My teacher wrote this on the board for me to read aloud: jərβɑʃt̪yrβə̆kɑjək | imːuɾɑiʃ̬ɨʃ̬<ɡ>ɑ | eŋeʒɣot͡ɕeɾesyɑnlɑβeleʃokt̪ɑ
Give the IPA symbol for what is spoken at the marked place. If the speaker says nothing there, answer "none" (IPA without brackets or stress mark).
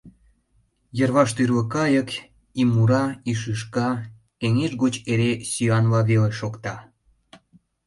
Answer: k